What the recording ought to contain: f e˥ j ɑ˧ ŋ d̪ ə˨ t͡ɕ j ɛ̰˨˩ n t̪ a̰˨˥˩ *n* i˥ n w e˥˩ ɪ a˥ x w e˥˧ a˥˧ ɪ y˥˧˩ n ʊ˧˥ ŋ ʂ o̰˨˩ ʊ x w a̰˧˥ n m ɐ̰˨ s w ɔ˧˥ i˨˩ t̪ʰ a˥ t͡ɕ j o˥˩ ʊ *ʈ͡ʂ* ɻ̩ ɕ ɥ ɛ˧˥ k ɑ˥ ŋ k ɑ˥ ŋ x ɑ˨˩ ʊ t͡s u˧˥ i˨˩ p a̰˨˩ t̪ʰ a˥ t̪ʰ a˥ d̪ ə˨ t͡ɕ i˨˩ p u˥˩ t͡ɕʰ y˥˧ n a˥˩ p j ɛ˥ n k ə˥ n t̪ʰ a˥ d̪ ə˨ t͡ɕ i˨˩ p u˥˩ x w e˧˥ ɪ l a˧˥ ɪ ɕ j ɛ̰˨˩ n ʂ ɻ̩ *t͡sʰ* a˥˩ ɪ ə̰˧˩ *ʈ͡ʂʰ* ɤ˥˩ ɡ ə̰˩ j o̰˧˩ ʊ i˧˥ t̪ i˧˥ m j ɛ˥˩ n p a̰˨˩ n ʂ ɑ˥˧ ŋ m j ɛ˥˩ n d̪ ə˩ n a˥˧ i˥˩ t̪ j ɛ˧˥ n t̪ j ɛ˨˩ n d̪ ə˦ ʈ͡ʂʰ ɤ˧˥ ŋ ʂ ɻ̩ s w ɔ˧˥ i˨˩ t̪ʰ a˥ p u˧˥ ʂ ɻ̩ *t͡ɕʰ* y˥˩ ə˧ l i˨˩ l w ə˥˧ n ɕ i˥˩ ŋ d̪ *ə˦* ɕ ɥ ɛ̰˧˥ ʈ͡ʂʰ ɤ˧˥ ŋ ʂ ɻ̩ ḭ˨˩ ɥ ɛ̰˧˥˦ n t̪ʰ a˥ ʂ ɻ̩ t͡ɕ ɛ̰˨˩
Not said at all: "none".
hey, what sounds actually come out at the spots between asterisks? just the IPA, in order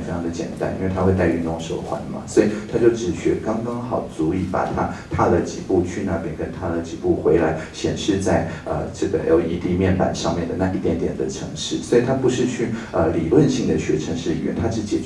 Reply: n, ʈ͡ʂ, t͡s, ʈ͡ʂ, t͡ɕʰ, ə˩

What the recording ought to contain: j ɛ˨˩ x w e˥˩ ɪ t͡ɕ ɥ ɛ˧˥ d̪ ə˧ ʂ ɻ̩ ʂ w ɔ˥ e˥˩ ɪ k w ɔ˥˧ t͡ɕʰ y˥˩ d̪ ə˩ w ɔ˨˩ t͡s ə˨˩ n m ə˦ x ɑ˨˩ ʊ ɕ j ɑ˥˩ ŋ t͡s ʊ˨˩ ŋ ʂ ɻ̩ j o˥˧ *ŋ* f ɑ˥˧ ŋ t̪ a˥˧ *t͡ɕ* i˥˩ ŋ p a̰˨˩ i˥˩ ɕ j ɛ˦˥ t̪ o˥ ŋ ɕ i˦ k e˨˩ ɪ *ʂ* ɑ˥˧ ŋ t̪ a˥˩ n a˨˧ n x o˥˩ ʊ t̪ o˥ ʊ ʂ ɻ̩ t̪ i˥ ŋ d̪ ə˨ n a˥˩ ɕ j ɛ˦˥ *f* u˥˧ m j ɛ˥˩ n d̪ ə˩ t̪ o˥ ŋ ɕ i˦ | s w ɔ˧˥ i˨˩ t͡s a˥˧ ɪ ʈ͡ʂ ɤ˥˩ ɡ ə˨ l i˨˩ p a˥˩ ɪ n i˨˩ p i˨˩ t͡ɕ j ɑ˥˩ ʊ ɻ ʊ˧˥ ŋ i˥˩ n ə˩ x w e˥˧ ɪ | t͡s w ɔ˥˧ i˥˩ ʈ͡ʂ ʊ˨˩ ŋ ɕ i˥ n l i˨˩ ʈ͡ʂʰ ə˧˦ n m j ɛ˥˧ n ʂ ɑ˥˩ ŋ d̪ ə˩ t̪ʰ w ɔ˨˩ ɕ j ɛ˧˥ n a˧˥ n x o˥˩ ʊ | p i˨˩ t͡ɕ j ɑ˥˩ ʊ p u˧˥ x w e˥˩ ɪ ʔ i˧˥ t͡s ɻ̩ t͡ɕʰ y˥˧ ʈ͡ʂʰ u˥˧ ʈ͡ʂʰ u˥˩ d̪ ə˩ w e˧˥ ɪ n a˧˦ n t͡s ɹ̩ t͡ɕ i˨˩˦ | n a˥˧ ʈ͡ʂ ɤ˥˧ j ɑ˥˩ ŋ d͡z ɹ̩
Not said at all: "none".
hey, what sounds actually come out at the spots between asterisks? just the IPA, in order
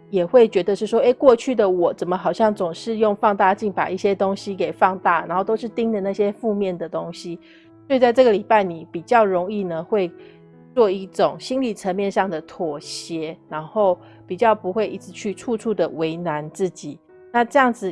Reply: ŋ, t͡ɕ, f, f

